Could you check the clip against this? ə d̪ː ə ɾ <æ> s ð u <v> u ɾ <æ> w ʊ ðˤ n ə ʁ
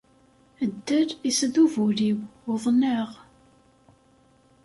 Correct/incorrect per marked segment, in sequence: incorrect, correct, incorrect

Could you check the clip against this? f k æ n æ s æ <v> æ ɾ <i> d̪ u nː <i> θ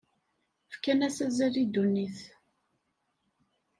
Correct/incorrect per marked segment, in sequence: incorrect, correct, correct

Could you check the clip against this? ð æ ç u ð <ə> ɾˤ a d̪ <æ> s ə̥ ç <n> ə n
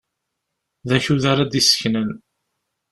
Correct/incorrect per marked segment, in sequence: incorrect, incorrect, correct

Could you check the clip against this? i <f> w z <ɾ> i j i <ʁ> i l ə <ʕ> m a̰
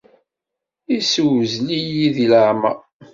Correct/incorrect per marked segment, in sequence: incorrect, incorrect, incorrect, correct

